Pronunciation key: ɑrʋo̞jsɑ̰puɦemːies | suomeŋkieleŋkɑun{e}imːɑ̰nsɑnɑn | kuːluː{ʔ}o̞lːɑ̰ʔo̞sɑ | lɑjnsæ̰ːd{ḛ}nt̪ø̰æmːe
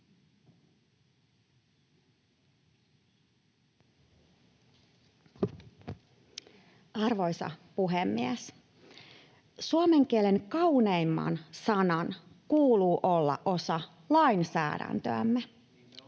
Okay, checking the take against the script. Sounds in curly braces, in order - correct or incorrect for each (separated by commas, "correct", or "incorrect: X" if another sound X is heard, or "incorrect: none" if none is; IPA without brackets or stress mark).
correct, correct, incorrect: æ̰